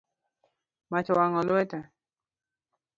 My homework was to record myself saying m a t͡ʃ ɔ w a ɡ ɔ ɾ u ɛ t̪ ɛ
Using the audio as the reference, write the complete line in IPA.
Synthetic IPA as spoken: m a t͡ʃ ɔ w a ŋ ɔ l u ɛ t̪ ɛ